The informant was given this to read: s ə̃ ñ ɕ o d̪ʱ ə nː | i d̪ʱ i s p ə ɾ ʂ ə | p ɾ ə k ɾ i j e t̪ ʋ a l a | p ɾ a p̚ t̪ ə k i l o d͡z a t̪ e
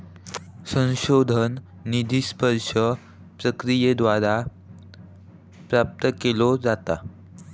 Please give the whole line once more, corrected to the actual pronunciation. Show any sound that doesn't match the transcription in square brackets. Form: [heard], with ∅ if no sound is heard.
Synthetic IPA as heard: s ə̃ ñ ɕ o d̪ʱ ə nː | i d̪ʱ i s p ə ɾ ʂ ə | p ɾ ə k ɾ i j e [d̪] ʋ a [ɾ] a | p ɾ a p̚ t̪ ə k [e] l o d͡z a t̪ [a]